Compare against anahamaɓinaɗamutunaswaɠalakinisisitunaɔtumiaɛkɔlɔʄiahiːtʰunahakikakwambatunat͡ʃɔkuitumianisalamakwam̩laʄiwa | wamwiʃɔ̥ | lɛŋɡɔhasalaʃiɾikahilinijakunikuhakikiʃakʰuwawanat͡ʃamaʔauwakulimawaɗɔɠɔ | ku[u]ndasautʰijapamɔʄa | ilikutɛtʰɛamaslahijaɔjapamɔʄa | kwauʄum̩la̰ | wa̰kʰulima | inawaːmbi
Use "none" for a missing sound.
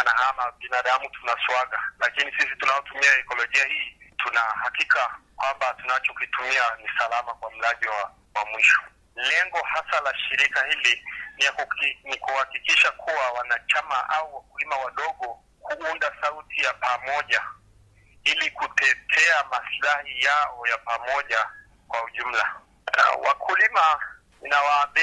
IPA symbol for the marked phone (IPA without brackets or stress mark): u